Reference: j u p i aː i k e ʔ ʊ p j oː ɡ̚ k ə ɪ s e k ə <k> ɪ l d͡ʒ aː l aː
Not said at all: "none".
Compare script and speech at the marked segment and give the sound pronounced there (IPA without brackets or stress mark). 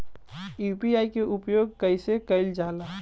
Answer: none